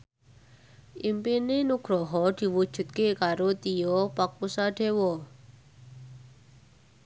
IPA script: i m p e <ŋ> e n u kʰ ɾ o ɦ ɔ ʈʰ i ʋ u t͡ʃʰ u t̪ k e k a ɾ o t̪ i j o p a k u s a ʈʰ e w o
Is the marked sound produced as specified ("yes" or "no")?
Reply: no